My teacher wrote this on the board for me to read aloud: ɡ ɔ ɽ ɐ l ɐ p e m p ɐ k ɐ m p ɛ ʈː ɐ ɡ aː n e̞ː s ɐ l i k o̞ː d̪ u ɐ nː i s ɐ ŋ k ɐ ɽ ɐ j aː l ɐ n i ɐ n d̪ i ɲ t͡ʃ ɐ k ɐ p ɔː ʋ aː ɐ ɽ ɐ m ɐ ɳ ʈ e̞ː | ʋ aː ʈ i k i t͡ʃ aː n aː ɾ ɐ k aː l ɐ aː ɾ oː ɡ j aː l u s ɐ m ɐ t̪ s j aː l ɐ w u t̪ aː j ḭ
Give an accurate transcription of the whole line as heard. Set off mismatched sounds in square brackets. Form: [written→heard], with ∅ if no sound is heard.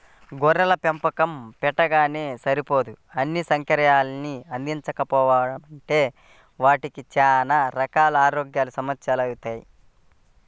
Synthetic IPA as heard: ɡ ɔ [ɽ→ɾ] ɐ l ɐ p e m p ɐ k ɐ m p ɛ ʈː ɐ ɡ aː n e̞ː s ɐ [l→ɾ] i [k→p] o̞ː d̪ u ɐ nː i s ɐ ŋ k ɐ [ɽ→ɾ] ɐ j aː l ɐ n i ɐ n d̪ i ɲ t͡ʃ ɐ k ɐ p ɔː ʋ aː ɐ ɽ ɐ m ɐ ɳ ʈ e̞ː | ʋ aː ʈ i k i t͡ʃ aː n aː ɾ ɐ k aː l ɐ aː ɾ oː ɡ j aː l u s ɐ m ɐ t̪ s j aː l ɐ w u t̪ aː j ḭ